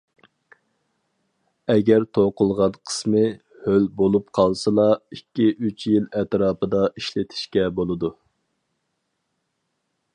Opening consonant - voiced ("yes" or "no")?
yes